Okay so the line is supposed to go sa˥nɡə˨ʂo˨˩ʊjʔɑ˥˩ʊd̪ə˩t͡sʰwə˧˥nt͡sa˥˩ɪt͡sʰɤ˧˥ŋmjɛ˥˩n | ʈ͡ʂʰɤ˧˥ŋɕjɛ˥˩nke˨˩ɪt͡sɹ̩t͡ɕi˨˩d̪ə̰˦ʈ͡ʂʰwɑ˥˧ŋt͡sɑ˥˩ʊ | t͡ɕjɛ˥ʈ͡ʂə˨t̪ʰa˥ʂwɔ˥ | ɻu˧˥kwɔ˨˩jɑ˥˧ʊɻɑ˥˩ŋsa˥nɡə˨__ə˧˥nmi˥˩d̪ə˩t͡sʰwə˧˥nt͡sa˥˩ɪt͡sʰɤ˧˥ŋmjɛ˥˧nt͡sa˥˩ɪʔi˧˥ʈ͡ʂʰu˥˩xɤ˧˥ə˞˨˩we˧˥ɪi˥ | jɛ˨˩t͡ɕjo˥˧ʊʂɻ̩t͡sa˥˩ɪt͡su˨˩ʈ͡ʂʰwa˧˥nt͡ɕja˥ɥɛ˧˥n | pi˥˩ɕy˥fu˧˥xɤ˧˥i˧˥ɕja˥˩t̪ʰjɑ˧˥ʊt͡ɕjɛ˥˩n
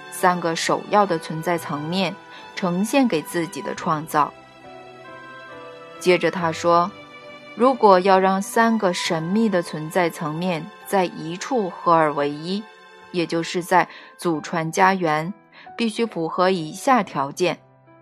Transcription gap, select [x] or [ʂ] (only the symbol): ʂ